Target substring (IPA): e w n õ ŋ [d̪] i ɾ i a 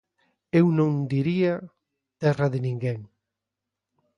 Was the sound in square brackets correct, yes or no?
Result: yes